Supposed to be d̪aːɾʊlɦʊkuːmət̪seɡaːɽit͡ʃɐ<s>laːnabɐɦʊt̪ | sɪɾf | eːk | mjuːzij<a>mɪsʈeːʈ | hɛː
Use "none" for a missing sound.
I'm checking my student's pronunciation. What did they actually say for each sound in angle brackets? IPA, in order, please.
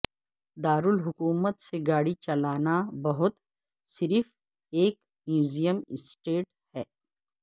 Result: none, ə

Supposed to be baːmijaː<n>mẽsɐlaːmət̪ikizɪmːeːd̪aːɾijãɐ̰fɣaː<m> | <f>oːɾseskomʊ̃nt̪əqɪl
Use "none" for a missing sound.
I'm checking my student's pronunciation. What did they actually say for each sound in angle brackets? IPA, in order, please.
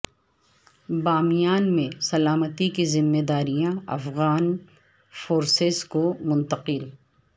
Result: n, n, f

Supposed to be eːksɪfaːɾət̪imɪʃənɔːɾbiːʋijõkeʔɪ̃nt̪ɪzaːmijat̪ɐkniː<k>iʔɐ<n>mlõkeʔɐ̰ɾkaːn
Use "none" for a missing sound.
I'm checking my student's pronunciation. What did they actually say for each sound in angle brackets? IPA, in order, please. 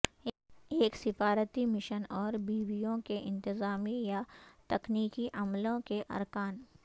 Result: k, none

